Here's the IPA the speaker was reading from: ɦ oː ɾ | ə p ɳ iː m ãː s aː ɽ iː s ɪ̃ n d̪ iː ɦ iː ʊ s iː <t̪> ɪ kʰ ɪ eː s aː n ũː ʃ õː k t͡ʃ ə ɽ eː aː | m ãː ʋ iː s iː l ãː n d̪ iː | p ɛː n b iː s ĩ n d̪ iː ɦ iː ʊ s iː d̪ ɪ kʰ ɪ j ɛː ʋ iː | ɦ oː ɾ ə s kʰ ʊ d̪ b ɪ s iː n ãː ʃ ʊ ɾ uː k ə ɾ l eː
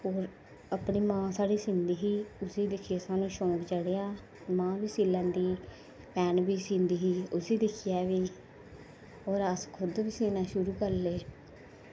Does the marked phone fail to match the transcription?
yes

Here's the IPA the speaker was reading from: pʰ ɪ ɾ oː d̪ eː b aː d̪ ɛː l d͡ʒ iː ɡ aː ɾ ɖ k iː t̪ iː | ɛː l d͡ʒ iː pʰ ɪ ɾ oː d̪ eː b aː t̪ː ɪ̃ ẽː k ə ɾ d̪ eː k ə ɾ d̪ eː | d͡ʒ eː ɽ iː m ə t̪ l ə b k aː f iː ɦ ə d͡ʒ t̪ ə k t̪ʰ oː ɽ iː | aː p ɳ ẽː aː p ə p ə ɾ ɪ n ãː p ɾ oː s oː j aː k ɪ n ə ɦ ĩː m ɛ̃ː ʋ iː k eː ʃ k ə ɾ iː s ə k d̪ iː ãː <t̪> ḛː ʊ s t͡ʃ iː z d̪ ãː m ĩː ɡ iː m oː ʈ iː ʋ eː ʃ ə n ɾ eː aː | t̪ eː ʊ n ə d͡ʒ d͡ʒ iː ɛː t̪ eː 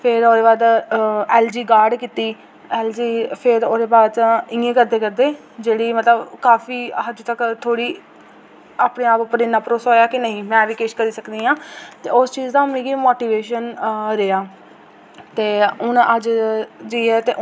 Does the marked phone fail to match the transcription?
no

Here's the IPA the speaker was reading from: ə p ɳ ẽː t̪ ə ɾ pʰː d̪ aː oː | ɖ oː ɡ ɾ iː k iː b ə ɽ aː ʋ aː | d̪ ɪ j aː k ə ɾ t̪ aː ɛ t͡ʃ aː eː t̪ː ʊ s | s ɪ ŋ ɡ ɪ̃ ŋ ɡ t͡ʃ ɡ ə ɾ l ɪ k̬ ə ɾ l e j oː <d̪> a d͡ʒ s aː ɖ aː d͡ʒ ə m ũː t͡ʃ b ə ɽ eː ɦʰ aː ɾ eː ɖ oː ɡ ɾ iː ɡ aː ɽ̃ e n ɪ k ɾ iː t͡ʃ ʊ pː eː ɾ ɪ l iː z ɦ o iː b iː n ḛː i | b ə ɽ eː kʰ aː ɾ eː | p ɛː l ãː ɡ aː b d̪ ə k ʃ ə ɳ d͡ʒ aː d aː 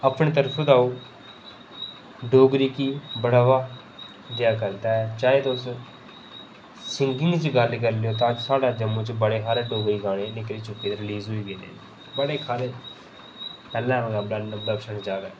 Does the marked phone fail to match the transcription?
yes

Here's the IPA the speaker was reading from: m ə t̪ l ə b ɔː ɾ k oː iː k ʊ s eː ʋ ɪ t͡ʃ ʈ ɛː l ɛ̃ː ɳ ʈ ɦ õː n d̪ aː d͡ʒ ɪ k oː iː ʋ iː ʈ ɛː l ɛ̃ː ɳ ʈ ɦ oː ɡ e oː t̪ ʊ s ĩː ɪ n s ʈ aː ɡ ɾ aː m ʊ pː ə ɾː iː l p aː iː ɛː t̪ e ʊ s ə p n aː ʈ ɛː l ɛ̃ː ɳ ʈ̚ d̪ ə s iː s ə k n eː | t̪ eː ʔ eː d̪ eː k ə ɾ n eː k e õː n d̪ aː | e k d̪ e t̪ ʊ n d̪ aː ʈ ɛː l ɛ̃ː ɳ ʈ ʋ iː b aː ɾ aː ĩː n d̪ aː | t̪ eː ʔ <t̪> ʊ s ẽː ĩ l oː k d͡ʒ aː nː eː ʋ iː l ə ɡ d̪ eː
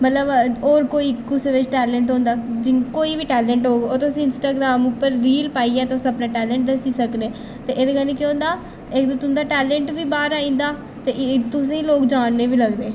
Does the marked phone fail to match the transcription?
no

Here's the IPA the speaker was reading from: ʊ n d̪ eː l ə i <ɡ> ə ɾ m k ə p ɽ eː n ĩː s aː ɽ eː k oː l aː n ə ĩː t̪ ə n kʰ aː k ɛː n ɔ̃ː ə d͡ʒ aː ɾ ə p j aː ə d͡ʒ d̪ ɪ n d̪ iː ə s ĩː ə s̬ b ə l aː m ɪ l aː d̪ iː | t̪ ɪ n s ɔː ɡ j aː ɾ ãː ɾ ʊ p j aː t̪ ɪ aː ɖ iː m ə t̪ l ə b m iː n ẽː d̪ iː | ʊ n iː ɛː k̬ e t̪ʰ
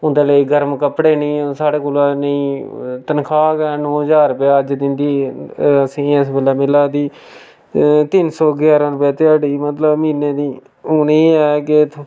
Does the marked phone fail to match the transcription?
no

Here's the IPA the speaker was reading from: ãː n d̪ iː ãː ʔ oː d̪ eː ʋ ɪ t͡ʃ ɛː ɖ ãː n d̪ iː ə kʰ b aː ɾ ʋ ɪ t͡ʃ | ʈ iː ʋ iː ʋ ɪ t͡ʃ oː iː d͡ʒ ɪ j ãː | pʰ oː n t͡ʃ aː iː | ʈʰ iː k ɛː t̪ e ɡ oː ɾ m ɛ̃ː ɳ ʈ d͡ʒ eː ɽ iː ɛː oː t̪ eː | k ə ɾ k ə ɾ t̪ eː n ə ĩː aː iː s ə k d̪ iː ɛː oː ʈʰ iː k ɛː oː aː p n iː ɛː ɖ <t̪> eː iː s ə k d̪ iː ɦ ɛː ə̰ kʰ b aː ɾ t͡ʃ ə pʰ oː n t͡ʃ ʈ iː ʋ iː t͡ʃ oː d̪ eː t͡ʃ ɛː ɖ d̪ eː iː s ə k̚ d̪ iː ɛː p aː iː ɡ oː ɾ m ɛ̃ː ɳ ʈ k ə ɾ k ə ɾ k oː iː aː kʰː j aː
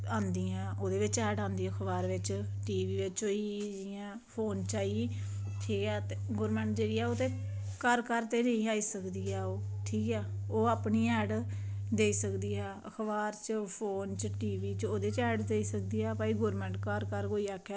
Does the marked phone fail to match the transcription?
yes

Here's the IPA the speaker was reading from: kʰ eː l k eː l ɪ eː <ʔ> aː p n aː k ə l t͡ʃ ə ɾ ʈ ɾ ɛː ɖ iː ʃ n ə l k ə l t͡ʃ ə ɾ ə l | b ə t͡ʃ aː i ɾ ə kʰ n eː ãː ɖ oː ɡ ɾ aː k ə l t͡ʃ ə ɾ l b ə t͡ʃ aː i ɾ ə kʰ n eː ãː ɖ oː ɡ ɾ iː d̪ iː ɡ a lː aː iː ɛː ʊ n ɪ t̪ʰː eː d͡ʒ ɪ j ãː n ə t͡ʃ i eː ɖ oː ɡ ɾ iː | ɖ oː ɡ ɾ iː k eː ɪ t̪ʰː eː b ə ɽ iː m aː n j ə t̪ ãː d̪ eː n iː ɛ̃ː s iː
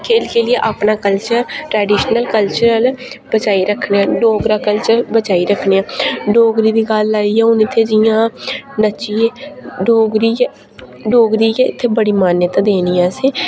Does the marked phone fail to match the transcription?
no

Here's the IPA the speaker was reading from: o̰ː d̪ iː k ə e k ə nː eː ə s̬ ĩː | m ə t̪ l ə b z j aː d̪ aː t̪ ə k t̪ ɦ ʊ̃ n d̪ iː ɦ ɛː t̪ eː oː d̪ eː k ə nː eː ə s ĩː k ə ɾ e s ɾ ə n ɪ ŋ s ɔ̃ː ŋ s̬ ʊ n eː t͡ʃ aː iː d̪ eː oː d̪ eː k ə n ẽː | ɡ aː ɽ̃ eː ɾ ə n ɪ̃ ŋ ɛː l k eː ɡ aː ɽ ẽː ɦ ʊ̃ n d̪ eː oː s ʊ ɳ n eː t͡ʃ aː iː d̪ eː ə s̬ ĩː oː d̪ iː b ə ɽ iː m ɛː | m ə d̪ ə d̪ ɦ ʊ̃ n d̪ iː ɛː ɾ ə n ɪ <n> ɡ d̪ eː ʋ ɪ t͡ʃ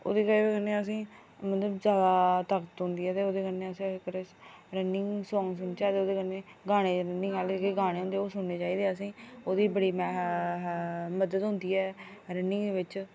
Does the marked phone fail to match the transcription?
yes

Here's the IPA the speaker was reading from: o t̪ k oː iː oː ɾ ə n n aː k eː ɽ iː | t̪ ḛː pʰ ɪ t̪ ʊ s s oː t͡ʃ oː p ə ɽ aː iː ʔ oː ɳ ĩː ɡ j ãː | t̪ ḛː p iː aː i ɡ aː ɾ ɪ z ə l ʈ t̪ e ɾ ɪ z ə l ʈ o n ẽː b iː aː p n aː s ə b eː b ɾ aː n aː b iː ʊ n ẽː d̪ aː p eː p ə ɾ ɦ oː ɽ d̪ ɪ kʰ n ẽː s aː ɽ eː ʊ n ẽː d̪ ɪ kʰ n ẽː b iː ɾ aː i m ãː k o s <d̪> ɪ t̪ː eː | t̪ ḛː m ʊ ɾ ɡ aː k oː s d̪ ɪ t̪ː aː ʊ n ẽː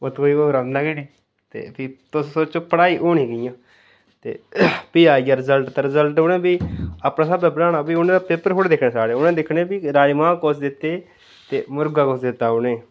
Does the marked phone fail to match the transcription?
no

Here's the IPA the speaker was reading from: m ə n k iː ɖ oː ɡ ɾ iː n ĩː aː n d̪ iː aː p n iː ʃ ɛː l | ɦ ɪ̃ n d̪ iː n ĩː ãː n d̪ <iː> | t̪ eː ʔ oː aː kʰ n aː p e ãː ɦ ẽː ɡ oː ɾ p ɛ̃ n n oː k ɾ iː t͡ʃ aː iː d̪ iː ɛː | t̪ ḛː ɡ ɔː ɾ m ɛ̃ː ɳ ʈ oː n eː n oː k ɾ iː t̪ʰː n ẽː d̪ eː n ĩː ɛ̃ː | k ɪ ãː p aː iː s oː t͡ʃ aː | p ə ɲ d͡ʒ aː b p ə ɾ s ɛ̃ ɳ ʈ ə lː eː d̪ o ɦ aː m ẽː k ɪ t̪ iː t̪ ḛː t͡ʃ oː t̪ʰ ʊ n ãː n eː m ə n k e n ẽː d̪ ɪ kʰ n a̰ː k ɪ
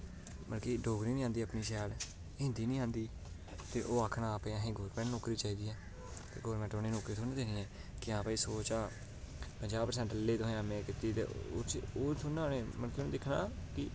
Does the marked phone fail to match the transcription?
no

